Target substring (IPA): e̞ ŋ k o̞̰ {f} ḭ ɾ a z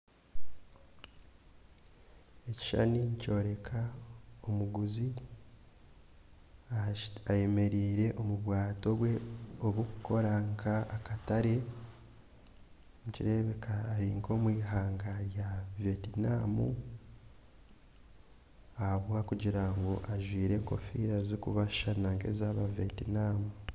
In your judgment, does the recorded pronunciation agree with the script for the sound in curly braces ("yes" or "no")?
yes